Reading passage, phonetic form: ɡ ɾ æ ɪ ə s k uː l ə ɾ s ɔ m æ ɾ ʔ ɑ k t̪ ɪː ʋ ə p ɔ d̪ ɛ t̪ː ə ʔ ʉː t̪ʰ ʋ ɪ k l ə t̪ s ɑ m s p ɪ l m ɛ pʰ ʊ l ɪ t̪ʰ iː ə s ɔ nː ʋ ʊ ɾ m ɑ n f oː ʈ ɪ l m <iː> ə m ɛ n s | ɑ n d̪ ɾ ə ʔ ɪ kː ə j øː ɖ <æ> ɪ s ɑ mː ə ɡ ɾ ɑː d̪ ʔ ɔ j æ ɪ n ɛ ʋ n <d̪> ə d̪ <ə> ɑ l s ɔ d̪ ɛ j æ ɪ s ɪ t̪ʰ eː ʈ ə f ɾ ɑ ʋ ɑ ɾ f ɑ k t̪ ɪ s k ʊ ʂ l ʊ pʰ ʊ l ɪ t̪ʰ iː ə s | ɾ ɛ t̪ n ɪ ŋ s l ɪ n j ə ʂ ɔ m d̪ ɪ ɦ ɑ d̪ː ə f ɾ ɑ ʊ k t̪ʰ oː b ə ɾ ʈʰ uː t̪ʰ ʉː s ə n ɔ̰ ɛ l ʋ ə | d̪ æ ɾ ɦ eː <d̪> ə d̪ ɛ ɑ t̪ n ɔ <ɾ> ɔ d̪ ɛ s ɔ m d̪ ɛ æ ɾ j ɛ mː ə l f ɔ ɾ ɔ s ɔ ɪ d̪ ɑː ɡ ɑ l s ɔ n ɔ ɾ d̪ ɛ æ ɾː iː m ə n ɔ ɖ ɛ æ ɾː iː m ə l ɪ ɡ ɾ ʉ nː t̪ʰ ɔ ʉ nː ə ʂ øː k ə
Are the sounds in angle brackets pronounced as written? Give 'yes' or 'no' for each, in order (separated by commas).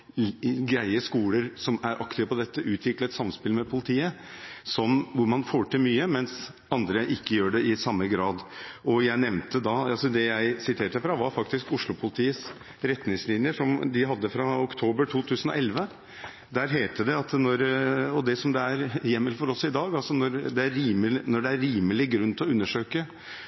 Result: no, no, no, no, no, yes